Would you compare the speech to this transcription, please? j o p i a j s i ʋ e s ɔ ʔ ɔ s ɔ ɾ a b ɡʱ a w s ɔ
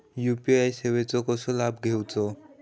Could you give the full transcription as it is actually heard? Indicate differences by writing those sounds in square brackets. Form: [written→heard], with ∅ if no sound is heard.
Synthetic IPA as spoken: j [o→u] p i a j s [i→e] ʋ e [s→t͡s] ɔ [ʔ→k] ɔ s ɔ [ɾ→l] a b ɡʱ [a→e] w [s→t͡s] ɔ